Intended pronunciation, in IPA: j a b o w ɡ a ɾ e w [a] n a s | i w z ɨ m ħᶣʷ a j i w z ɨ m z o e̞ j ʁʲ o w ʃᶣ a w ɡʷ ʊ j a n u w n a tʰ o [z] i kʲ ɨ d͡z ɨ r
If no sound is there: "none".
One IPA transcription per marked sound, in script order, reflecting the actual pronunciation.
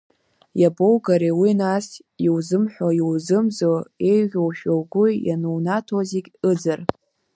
i, z

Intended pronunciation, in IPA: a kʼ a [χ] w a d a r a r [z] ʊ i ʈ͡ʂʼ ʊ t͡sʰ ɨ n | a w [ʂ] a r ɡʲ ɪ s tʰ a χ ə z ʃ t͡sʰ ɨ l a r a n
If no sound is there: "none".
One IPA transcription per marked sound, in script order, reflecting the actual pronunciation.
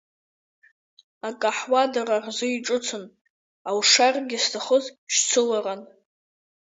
ħ, z, ʂ

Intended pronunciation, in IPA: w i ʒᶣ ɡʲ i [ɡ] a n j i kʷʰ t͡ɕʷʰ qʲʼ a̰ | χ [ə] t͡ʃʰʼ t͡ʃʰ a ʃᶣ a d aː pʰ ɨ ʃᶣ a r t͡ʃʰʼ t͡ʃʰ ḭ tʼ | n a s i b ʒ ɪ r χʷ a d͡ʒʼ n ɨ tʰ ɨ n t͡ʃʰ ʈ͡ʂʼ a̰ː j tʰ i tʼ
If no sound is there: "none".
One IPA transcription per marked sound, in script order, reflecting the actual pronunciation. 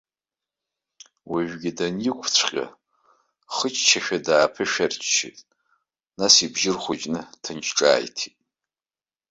d, ə

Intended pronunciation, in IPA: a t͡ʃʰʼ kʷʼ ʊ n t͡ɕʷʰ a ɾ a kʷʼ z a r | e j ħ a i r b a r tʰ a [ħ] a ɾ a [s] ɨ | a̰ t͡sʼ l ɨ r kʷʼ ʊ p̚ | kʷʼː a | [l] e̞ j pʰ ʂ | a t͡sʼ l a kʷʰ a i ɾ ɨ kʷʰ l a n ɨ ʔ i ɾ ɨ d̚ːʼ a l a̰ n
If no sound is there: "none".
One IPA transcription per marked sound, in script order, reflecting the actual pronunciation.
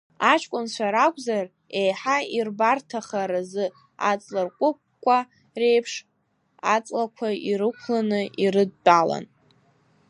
χ, z, r

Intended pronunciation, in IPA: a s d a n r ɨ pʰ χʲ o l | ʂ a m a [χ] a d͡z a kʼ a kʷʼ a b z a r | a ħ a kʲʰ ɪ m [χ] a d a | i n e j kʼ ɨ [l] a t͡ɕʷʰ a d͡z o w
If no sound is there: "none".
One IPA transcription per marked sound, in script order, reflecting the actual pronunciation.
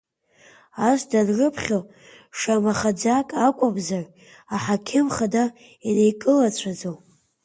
χ, χ, l

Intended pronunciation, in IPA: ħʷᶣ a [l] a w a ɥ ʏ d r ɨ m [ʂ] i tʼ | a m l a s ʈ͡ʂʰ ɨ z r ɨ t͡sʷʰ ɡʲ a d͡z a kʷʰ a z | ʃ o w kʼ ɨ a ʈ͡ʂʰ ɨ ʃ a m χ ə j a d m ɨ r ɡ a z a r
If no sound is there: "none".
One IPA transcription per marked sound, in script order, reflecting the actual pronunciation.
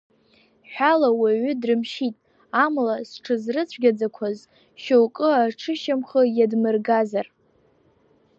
l, ʃ

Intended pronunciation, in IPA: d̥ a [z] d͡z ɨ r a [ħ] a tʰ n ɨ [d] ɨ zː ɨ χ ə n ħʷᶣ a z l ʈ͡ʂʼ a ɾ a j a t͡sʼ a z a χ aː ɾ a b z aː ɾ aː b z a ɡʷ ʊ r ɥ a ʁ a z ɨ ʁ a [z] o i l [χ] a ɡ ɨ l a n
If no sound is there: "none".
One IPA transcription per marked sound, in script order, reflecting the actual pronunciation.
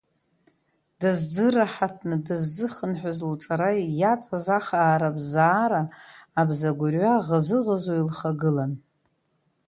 z, ħ, d, z, χ

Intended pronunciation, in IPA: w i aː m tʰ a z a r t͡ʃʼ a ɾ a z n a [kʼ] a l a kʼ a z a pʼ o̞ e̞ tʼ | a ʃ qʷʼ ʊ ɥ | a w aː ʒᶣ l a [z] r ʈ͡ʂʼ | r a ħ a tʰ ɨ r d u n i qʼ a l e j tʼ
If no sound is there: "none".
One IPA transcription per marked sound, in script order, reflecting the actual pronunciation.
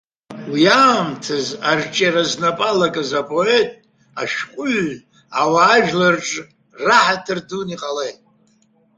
pʼ, none

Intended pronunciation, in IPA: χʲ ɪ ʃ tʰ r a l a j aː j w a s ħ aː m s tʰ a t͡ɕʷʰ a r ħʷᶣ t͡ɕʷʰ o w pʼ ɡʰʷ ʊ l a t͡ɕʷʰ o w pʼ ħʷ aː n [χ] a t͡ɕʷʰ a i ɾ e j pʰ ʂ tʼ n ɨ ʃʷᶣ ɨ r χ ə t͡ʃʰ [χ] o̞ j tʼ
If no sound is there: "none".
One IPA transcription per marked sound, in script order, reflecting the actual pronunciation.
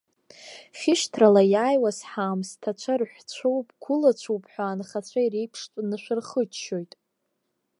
χ, ʃ

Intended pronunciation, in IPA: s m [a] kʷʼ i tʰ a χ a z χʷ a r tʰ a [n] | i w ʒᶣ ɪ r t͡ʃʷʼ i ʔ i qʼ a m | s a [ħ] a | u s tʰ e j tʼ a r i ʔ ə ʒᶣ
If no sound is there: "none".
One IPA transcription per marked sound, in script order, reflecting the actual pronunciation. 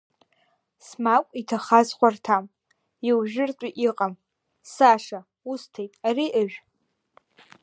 a, m, ʂ

